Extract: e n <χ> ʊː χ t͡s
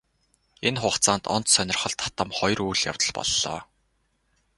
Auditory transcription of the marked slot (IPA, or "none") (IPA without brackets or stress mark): χ